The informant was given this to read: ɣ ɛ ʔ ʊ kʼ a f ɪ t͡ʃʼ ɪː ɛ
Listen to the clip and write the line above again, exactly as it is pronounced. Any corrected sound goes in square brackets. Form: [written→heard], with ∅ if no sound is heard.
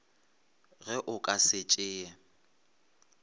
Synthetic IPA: ɣ ɛ ʔ ʊ kʼ a [f→s] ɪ t͡ʃʼ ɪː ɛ